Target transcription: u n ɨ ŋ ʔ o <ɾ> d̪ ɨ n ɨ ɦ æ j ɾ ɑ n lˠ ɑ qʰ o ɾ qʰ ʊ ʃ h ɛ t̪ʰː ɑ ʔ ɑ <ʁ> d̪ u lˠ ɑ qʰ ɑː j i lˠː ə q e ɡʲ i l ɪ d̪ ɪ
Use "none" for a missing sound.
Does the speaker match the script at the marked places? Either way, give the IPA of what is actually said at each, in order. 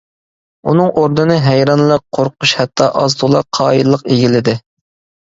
ɾ, z

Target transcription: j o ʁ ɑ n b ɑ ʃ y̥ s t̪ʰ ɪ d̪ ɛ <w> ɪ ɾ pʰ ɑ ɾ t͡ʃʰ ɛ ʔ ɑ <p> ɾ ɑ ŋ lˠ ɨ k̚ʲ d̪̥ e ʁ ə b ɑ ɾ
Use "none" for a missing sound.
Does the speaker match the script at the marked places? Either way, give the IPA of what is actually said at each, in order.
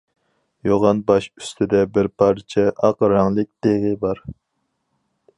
b, q

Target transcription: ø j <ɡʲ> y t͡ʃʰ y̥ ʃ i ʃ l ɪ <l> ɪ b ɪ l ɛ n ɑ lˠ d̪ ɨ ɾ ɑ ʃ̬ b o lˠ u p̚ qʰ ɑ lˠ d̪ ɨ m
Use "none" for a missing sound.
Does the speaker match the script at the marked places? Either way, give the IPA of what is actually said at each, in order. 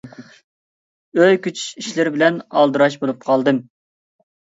kʲ, ɾ

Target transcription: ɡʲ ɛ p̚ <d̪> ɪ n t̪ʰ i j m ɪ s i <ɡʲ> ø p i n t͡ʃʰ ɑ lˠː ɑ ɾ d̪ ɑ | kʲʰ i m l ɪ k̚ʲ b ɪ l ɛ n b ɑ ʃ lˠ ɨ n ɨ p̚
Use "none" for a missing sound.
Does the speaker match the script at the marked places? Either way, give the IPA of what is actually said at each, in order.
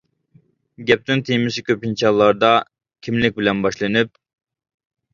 t̪, kʲ

